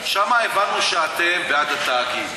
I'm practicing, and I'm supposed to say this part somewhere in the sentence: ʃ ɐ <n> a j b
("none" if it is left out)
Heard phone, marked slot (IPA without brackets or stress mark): m